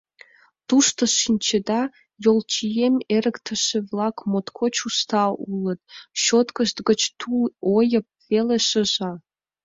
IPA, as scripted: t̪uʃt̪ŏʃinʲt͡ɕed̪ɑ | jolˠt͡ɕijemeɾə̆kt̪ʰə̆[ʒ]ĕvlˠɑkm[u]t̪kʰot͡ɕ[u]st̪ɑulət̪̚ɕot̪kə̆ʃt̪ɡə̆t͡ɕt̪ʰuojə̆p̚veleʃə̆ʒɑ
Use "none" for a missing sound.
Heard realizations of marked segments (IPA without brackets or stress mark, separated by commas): ʃ, o, u